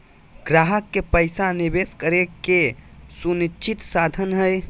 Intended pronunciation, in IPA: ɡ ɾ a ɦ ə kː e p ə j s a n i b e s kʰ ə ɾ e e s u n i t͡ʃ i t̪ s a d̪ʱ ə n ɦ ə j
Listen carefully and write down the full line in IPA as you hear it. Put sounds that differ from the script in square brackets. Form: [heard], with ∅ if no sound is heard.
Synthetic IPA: ɡ ɾ a ɦ ə kː e p ə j s a n i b e s [k] ə ɾ e e s u n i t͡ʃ i t̪ s a d̪ʱ ə n ɦ ə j